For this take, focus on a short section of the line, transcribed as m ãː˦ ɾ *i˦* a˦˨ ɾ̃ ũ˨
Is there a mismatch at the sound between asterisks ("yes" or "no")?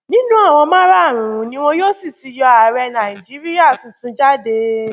yes